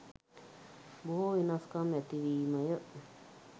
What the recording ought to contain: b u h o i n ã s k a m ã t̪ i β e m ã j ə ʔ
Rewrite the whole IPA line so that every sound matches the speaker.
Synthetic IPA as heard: b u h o i n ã s k a m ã t̪ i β i m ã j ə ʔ